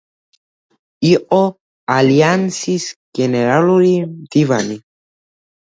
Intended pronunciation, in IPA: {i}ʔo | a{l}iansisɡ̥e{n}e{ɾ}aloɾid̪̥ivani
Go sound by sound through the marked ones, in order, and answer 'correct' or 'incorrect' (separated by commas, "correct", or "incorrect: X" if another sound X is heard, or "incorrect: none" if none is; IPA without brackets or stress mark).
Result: correct, correct, correct, correct